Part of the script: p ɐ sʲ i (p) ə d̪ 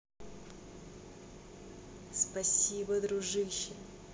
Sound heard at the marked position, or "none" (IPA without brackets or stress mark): b